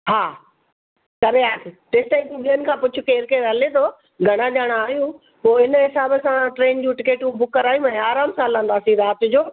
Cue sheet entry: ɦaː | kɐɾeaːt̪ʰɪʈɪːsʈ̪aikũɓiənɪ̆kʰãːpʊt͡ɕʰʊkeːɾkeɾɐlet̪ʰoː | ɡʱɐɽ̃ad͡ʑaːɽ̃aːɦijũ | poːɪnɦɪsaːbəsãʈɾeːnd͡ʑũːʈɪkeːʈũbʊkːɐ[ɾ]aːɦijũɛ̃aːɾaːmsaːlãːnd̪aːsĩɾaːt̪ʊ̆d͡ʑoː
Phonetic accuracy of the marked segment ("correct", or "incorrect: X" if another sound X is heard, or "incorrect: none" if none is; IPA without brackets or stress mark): correct